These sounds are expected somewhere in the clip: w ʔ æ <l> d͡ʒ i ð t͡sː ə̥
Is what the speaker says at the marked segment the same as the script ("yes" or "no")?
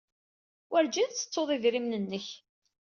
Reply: no